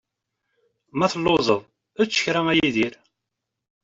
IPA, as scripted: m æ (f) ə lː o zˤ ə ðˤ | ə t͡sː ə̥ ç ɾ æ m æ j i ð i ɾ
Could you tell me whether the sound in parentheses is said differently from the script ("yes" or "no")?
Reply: yes